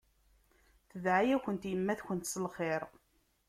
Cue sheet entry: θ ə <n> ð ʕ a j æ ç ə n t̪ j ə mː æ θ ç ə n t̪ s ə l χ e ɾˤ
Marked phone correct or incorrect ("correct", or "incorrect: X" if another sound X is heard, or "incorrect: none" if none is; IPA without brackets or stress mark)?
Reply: incorrect: none